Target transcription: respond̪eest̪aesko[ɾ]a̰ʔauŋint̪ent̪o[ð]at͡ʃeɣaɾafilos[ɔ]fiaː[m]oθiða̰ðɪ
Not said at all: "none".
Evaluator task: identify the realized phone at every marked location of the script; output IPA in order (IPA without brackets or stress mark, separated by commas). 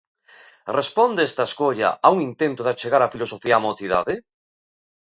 ʎ, ð, o, m